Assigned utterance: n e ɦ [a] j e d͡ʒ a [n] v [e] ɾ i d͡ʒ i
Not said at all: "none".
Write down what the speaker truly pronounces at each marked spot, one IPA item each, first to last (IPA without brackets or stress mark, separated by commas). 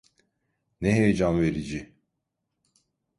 e, n, e